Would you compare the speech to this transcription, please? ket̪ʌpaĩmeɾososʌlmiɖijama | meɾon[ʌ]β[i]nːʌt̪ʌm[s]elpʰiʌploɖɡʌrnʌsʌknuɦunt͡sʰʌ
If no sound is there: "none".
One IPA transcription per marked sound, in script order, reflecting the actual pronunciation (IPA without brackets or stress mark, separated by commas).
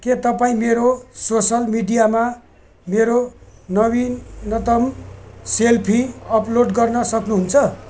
ʌ, i, s